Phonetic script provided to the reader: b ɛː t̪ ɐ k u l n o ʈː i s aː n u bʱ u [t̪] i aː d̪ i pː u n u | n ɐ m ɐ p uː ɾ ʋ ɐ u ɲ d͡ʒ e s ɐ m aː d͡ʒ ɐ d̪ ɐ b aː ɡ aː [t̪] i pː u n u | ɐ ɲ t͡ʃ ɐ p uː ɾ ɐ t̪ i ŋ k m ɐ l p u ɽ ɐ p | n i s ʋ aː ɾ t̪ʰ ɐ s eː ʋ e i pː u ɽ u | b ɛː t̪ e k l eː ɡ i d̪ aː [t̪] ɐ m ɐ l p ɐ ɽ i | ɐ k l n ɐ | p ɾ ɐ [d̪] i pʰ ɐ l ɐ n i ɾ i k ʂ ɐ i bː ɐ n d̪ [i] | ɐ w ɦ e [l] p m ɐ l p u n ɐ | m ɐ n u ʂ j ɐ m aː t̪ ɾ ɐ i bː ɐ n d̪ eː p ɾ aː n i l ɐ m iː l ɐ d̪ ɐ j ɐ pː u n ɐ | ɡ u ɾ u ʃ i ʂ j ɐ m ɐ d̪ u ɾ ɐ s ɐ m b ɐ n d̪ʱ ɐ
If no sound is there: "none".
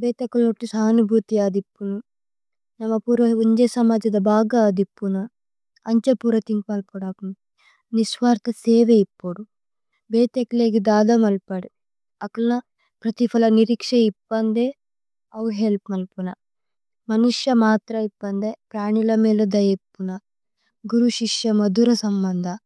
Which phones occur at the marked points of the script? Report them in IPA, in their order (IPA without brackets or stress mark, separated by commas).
t̪, d̪, d̪, t̪, e, l